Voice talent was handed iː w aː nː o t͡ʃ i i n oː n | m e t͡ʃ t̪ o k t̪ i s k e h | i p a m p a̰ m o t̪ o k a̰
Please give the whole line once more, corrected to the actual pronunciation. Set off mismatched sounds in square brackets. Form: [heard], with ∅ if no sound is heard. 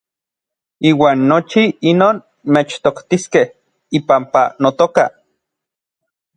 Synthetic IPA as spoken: iː w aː nː o t͡ʃ i i n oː n | m e t͡ʃ t̪ o k t̪ i s k e h | i p a m p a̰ [n] o t̪ o k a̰